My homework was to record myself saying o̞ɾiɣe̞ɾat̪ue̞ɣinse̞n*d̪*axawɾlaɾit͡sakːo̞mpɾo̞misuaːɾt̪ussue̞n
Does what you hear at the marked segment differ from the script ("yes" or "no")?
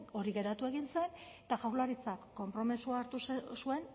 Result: yes